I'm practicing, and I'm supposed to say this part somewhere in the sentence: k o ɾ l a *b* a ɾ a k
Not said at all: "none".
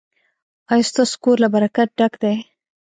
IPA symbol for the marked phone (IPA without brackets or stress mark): b